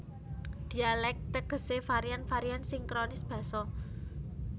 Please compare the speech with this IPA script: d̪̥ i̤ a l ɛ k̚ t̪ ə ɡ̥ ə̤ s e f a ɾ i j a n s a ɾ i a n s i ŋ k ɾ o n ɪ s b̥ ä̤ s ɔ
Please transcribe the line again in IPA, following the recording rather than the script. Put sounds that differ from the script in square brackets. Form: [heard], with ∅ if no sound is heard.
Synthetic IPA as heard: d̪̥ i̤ a l ɛ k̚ t̪ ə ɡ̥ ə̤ s e f a ɾ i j a n [f] a ɾ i a n s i ŋ k ɾ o n ɪ s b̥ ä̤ s ɔ